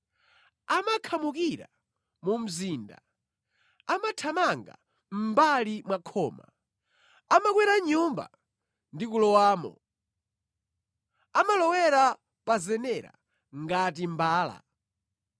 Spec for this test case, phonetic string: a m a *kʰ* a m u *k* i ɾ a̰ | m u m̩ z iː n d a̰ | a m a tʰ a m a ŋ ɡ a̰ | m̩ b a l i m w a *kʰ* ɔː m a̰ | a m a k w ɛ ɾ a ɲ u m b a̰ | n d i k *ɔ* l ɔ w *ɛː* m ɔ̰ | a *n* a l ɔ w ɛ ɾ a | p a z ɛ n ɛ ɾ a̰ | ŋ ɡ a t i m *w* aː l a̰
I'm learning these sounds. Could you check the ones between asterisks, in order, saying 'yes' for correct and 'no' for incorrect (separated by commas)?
yes, yes, yes, no, no, no, no